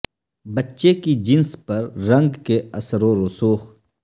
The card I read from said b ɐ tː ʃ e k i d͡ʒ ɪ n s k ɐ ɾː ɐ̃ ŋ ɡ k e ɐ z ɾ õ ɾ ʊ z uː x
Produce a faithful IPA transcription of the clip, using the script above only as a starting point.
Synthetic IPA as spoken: b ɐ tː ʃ e k i d͡ʒ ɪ n s p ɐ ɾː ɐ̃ ŋ ɡ k e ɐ s ɾ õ ɾ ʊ s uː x